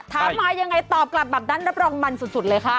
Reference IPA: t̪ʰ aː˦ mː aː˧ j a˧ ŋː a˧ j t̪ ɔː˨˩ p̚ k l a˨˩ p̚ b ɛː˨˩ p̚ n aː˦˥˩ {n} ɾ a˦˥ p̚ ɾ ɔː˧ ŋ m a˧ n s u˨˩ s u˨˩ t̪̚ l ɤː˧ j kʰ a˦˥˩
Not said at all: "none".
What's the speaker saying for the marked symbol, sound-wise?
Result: n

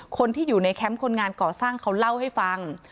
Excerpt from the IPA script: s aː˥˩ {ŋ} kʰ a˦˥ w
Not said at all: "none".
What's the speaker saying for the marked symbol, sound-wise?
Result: ŋ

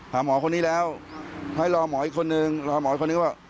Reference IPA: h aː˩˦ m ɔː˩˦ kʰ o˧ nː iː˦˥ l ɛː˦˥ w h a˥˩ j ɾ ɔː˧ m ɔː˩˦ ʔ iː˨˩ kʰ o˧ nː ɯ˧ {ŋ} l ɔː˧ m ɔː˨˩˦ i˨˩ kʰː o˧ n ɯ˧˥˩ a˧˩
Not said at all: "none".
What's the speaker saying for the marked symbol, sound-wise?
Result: ŋ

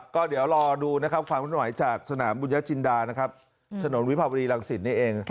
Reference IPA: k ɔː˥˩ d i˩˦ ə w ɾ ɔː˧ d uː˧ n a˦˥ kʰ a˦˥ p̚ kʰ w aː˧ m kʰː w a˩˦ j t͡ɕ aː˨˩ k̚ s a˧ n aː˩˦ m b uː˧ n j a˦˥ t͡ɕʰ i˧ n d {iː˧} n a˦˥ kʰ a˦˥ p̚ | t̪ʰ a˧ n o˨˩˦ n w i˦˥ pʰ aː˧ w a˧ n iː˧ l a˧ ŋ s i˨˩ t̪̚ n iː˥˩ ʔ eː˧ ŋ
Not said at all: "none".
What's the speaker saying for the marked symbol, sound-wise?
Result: aː˧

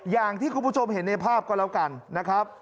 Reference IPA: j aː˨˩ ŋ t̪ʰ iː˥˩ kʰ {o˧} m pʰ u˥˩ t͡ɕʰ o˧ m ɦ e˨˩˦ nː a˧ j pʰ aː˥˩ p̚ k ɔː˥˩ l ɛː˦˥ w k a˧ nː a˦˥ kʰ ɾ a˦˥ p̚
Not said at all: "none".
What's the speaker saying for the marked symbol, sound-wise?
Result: u˧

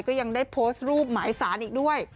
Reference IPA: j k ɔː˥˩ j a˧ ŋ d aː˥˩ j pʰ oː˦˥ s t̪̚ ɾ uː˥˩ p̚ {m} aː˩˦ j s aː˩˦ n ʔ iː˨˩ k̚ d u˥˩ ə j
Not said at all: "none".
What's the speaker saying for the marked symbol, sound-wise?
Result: m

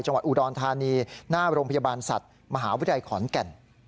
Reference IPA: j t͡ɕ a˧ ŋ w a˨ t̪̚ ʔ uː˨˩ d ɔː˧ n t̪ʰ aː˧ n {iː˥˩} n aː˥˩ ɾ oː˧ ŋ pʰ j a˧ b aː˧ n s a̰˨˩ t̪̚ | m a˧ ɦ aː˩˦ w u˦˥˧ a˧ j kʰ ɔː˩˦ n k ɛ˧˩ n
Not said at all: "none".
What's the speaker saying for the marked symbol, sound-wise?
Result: iː˧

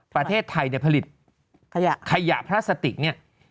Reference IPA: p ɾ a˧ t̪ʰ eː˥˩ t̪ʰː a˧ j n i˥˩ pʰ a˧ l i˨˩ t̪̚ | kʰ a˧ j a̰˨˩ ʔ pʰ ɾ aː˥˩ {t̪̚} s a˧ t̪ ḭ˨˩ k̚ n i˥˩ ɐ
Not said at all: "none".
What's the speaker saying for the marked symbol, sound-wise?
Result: none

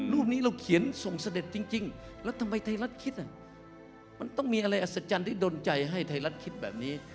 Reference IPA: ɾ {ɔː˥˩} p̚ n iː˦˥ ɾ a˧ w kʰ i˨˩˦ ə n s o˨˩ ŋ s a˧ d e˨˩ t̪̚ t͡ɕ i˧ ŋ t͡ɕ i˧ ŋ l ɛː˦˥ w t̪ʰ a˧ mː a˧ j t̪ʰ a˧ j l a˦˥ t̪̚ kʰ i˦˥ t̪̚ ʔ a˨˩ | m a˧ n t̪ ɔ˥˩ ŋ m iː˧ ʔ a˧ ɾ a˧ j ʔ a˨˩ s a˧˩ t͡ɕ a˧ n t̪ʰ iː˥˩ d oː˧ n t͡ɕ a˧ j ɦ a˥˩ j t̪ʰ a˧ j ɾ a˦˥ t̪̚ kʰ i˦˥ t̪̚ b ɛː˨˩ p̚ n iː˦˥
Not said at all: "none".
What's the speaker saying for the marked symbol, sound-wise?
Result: uː˥˩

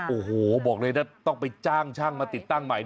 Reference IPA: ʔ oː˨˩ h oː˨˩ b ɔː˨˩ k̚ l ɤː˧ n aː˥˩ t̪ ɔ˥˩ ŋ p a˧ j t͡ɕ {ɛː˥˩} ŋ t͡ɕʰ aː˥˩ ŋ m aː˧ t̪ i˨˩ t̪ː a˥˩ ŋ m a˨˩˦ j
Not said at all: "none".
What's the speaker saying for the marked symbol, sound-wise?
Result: aː˥˩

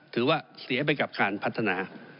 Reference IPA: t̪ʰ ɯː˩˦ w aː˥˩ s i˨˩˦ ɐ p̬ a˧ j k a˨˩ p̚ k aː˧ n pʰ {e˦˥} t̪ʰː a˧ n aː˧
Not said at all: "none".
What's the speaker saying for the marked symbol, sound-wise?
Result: a˦˥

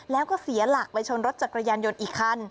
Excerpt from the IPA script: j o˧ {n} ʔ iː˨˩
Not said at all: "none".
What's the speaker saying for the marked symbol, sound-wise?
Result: n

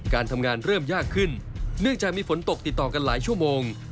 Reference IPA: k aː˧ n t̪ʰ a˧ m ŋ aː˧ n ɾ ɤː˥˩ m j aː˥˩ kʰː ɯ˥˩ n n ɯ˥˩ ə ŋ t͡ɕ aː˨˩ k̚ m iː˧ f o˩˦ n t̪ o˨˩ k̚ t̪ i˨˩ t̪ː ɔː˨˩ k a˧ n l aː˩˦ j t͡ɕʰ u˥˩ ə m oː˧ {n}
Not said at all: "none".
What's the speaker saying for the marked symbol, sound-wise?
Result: ŋ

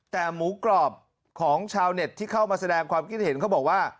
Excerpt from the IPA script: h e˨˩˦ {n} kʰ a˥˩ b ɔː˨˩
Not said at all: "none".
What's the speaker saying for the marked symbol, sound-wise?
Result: n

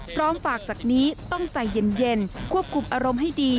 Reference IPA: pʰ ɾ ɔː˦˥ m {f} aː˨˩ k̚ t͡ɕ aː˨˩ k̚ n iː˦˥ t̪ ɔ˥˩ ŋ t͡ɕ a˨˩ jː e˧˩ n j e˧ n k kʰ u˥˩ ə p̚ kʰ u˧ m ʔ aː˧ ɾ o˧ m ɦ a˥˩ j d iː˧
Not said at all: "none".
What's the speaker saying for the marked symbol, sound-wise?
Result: f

